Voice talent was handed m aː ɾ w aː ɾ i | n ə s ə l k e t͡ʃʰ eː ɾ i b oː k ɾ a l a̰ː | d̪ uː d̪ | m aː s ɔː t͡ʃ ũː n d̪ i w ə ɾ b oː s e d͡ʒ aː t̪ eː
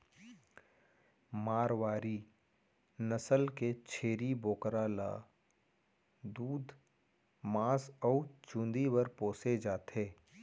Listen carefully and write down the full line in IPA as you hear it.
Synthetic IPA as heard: m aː ɾ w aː ɾ i | n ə s ə l k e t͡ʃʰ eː ɾ i b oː k ɾ a l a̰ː | d̪ uː d̪ | m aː s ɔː t͡ʃ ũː n d̪ i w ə ɾ p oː s e d͡ʒ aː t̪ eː

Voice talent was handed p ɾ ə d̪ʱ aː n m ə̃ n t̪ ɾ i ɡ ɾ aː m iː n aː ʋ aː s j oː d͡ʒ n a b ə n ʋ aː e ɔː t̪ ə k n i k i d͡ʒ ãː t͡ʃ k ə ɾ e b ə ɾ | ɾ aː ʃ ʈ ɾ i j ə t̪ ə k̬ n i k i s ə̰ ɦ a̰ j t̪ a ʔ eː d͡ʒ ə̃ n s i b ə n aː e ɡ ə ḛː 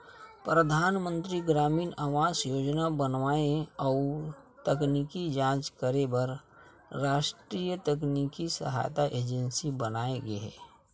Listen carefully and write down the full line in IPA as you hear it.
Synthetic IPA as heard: p ɾ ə d̪ʱ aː n m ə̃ n t̪ ɾ i ɡ ɾ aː m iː n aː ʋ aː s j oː d͡ʒ n a b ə n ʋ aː e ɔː t̪ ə k n i k i d͡ʒ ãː t͡ʃ k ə ɾ e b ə ɾ | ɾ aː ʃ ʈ ɾ i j ə t̪ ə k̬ n i k i s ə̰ ɦ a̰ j t̪ a ʔ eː d͡ʒ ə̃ n s i b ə n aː e ɡ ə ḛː

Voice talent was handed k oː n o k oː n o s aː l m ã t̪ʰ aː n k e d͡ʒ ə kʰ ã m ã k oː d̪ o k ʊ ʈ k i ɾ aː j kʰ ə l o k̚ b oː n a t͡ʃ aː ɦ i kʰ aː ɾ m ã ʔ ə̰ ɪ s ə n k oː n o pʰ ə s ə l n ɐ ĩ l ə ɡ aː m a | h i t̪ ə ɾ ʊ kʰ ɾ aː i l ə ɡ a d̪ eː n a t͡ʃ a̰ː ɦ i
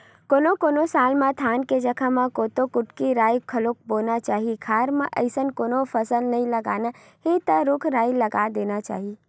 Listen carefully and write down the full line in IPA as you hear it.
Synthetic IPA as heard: k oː n o k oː n o s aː l m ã t̪ʰ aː n k e d͡ʒ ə kʰ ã m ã k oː t̪ o k ʊ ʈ k i ɾ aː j kʰ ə l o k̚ b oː n a t͡ʃ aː ɦ i kʰ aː ɾ m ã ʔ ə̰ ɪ s ə n k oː n o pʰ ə s ə l n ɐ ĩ l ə ɡ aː n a | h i t̪ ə ɾ ʊ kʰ ɾ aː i l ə ɡ a d̪ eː n a t͡ʃ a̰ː ɦ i

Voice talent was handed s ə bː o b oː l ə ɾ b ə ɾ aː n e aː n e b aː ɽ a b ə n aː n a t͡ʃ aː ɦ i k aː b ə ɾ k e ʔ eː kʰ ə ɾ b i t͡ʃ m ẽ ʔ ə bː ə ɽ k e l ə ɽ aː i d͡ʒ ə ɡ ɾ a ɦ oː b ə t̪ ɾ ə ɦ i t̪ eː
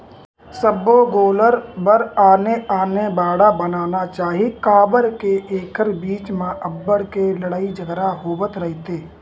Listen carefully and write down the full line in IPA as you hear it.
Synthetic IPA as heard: s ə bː o ɡ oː l ə ɾ b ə ɾ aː n e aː n e b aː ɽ a b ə n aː n a t͡ʃ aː ɦ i k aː b ə ɾ k e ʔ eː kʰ ə ɾ b iː t͡ʃ m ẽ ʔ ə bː ə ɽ k e l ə ɽ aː i d͡ʒ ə ɡ ɾ a ɦ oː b ə t̪ ɾ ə ɦ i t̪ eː

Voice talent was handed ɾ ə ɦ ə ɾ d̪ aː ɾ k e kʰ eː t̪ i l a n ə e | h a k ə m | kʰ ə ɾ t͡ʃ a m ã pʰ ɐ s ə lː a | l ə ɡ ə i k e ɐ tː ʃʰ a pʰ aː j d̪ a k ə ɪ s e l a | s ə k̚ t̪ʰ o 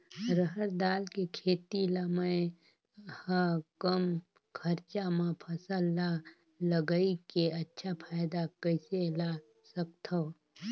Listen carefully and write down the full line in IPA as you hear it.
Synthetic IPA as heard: ɾ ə ɦ ə ɾ d̪ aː l k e kʰ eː t̪ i l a m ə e | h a k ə m | kʰ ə ɾ t͡ʃ a m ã pʰ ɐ s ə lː a | l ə ɡ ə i k e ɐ tː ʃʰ a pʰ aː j d̪ a k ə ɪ s e l a | s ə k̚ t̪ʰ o

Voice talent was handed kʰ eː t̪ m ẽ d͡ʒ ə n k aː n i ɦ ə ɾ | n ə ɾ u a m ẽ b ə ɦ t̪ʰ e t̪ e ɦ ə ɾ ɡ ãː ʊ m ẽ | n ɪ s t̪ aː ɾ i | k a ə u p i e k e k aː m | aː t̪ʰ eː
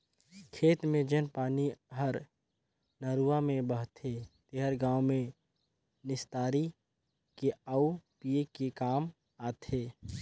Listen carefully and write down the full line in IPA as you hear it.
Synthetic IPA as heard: kʰ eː t̪ m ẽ d͡ʒ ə n p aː n i ɦ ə ɾ | n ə ɾ u a m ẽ b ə ɦ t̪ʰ e t̪ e ɦ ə ɾ ɡ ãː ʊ m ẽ | n ɪ s t̪ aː ɾ i | k e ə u p i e k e k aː m | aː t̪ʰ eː

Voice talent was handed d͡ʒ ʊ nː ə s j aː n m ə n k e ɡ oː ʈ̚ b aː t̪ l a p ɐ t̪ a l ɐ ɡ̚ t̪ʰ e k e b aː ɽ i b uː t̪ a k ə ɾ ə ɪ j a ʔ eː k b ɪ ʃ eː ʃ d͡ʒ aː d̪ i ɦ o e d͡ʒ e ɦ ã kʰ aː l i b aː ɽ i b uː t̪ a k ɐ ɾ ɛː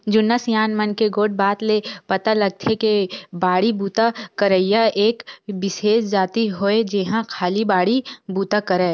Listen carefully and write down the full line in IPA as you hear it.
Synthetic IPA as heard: d͡ʒ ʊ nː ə s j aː n m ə n k e ɡ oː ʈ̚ b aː t̪ l e p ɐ t̪ a l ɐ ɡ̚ t̪ʰ e k e b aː ɽ i b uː t̪ a k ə ɾ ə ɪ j a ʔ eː k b ɪ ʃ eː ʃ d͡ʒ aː t̪ i ɦ o e d͡ʒ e ɦ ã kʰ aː l i b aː ɽ i b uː t̪ a k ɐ ɾ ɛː

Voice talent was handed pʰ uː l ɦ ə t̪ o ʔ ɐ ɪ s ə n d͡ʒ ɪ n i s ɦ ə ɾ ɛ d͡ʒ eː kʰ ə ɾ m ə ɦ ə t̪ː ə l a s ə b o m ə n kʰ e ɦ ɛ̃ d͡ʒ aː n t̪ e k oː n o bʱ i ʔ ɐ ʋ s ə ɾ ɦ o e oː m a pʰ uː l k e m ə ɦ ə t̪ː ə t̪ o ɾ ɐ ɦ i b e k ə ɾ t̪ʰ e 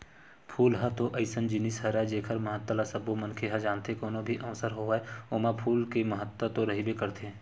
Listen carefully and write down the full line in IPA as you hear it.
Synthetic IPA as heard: pʰ uː l ɦ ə t̪ o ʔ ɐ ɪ s ə n d͡ʒ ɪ n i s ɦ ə ɾ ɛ d͡ʒ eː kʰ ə ɾ m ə ɦ ə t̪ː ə l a s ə b o m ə n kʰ e ɦ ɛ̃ d͡ʒ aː n t̪ e k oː n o bʱ i ʔ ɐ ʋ s ə ɾ ɦ o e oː m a pʰ uː l k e m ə ɦ ə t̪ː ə t̪ o ɾ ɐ ɦ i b e k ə ɾ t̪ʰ e

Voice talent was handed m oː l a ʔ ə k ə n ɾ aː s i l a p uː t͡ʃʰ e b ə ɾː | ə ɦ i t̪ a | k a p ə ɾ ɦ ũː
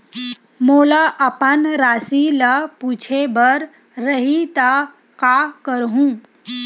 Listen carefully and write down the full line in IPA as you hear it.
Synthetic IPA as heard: m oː l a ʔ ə p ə n ɾ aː s i l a p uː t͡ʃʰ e b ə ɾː | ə ɦ i t̪ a | k a k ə ɾ ɦ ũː

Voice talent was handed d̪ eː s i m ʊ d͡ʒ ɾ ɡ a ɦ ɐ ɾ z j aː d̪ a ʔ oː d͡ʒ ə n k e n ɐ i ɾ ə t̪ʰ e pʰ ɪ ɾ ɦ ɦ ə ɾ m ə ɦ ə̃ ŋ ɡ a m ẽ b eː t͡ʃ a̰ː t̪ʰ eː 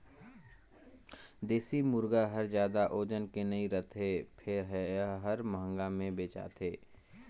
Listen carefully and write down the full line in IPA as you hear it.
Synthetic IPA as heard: d̪ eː s i m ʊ ɾ ɡ a ɦ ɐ ɾ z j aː d̪ a ʔ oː d͡ʒ ə n k e n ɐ i ɾ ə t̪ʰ e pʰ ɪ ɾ ɦ ɦ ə ɾ m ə ɦ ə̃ ŋ ɡ a m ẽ b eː t͡ʃ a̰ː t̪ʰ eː

